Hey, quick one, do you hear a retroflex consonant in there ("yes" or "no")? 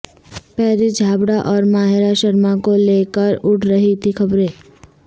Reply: yes